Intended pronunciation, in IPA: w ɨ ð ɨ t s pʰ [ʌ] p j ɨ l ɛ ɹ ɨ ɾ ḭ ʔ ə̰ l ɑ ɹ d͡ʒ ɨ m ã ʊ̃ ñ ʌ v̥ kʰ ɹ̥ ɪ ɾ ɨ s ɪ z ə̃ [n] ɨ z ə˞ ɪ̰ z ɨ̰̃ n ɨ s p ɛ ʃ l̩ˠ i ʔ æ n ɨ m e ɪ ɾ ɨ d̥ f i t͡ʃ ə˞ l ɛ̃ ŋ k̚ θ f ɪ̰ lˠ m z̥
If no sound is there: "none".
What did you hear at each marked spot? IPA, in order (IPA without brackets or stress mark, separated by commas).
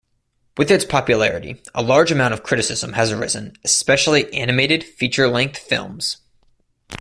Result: ɑ, m